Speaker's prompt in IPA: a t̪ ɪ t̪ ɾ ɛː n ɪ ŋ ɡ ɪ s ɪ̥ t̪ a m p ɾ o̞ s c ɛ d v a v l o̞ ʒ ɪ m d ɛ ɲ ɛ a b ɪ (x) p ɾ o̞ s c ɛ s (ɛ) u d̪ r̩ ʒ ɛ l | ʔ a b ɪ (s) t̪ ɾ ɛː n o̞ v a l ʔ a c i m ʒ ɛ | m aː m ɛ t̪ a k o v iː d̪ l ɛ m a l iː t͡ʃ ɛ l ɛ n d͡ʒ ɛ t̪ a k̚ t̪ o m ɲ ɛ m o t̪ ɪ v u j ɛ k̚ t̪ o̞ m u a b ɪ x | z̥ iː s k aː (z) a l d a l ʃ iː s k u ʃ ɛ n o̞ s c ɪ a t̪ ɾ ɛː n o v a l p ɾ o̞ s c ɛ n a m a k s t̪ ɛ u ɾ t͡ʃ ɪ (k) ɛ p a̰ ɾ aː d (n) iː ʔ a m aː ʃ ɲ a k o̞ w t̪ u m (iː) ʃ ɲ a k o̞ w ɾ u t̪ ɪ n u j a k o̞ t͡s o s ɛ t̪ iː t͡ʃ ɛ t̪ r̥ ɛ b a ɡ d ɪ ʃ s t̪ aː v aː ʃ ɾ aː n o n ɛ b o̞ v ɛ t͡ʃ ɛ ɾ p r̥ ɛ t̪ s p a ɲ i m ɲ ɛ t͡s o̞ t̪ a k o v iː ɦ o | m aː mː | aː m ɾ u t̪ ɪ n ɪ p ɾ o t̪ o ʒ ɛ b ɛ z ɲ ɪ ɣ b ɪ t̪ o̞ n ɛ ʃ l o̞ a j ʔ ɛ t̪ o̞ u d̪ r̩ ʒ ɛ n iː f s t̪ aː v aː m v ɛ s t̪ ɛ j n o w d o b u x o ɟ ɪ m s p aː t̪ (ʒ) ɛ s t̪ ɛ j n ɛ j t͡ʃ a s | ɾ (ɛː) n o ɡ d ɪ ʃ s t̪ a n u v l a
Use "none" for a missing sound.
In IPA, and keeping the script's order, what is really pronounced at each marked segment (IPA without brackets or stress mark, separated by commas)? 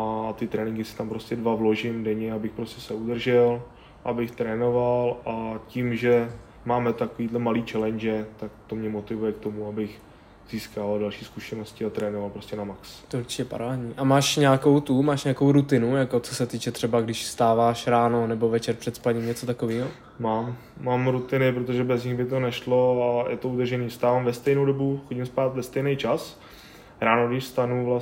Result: x, ɛ, x, v, c, ɲ, aː, v, aː